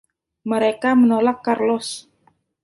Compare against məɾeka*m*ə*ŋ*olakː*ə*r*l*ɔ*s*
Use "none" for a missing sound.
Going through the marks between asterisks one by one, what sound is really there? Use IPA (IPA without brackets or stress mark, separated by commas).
m, n, a, l, s